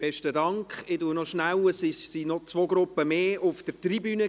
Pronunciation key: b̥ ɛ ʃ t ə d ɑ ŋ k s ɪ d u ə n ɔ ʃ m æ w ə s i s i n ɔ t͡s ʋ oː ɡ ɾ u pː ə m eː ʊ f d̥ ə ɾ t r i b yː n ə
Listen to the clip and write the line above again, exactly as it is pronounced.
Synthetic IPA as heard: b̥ ɛ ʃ t ə d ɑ ŋ k χ ɪ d u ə n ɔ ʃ n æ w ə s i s i n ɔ t͡s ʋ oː ɡ ɾ ʊ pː ə m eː ʊ f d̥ ə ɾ t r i b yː n ə